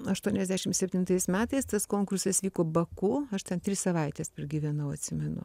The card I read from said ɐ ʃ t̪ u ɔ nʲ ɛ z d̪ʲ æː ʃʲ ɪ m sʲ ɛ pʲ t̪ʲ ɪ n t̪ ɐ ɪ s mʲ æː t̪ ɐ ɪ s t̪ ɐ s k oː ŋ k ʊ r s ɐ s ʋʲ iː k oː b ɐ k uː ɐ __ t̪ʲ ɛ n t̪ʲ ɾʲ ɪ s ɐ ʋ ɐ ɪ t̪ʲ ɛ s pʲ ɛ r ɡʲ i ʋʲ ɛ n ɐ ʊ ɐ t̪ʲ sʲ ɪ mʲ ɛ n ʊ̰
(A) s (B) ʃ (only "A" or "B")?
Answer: B